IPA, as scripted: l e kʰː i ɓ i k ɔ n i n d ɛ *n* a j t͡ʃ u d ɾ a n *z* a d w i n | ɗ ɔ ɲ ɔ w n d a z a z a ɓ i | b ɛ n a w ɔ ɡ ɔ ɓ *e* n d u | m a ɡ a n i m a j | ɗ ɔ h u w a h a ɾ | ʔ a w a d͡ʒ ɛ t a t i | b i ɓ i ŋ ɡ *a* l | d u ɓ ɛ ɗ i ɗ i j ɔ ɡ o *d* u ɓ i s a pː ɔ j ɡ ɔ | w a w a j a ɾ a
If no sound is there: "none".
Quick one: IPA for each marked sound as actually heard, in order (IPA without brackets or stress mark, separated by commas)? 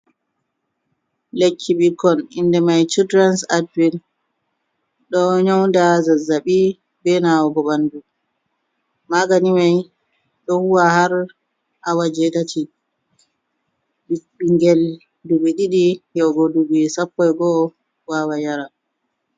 m, s, a, ɛ, d